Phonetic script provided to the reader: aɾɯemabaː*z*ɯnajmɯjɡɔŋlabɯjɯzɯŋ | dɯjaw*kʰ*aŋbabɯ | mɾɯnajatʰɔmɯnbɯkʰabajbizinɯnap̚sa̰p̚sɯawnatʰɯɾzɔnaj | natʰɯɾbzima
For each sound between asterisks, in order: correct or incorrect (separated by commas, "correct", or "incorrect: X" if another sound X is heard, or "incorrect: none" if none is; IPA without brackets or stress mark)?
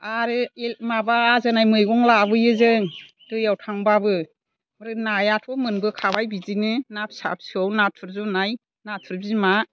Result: correct, incorrect: tʰ